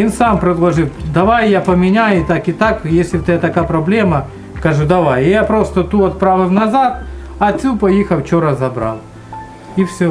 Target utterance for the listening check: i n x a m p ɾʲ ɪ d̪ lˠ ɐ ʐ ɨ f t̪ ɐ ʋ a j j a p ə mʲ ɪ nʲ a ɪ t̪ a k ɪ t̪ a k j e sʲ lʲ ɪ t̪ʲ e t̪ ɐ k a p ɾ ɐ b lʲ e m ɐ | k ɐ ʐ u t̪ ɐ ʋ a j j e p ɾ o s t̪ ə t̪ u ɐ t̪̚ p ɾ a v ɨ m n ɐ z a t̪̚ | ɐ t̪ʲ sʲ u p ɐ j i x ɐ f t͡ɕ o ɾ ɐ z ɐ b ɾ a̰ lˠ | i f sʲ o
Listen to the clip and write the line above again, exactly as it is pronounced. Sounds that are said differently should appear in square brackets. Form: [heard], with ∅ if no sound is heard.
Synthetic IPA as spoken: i n [s] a m p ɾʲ ɪ d̪ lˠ ɐ ʐ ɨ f [d̪] ɐ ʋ a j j a p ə mʲ ɪ nʲ a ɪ t̪ a k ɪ t̪ a k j e sʲ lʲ ɪ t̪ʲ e t̪ ɐ k a p ɾ ɐ b lʲ e m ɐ | k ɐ ʐ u [d̪] ɐ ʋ a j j [a] p ɾ o s t̪ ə t̪ u ɐ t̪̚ p ɾ a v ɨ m n ɐ z a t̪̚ | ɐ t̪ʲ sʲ u p ɐ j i x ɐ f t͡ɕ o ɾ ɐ z ɐ b ɾ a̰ lˠ | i f sʲ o